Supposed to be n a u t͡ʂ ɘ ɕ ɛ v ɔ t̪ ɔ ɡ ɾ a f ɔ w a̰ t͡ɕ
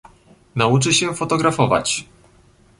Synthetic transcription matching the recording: n a u t͡ʂ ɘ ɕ ɛ f ɔ t̪ ɔ ɡ ɾ a f ɔ v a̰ t͡ɕ